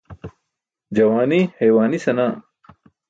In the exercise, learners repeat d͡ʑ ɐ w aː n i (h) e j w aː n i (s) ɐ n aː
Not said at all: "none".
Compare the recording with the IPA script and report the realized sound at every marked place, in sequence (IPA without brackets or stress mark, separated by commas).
h, s